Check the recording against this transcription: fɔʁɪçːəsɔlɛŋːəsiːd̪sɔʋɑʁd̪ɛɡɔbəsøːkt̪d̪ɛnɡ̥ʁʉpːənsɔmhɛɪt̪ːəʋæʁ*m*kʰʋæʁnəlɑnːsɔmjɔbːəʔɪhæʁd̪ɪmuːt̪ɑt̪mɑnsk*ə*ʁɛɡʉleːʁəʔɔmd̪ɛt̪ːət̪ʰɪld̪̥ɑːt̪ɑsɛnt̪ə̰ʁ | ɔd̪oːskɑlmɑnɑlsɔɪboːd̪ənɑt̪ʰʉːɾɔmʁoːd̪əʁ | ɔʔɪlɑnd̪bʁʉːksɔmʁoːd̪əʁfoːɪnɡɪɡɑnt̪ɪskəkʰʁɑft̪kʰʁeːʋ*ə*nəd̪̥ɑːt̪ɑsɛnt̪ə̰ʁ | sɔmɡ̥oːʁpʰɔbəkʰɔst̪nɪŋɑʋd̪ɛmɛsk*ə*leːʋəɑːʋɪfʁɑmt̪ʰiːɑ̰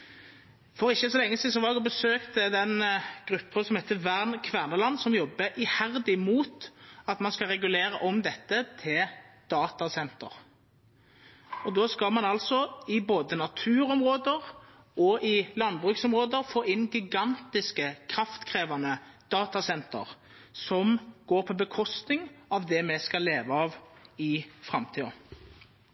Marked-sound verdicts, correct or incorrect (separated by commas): incorrect, incorrect, incorrect, incorrect